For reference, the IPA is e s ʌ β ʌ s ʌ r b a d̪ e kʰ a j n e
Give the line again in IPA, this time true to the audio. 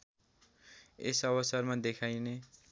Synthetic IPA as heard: e s ʌ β ʌ s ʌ r m a d̪ e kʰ a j n e